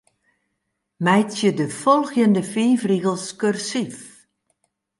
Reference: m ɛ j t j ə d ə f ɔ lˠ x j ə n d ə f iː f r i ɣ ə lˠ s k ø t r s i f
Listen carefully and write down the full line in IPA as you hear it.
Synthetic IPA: m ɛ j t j ə d ə f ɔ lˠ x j ə n d ə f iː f r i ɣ ə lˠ s k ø r s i f